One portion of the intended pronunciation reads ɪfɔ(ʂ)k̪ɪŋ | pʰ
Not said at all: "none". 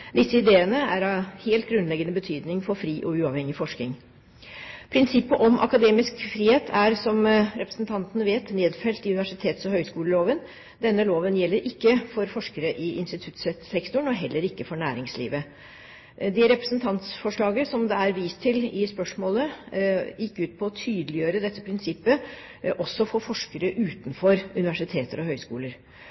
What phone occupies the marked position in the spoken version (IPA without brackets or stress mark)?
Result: ʂ